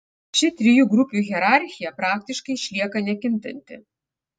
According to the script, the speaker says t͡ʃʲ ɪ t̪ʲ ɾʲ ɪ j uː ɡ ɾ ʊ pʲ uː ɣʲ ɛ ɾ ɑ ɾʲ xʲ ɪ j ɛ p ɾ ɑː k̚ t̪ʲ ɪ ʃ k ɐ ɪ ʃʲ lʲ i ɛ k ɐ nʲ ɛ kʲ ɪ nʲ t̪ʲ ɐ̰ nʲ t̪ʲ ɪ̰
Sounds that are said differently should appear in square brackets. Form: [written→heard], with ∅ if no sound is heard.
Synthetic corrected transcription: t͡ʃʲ ɪ t̪ʲ ɾʲ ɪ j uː ɡ ɾ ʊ pʲ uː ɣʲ ɛ ɾ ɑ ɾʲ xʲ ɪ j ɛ p ɾ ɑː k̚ t̪ʲ ɪ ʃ k ɐ ɪ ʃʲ lʲ i ɛ k ɐ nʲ ɛ kʲ ɪ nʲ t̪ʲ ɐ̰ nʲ t̪ʲ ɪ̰